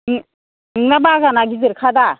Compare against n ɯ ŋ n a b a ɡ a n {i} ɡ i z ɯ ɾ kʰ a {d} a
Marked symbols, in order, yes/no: no, yes

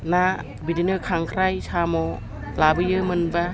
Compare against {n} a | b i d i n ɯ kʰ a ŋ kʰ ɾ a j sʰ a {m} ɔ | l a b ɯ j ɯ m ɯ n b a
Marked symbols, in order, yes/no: yes, yes

